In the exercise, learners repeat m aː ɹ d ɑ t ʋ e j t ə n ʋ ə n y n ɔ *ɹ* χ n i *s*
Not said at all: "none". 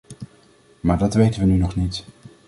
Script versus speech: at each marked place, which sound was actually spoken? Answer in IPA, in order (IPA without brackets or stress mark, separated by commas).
none, t